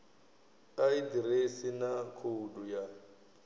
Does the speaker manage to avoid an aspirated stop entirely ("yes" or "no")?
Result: no